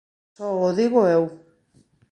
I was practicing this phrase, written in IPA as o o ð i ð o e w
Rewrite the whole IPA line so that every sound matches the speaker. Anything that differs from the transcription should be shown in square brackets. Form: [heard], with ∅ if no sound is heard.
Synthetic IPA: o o ð i [ɣ] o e w